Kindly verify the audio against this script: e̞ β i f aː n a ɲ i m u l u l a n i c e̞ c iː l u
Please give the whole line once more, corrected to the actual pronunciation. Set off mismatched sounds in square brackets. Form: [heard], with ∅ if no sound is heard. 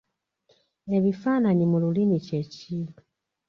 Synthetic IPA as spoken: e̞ β i f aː n a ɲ i m u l u l [i] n i c e̞ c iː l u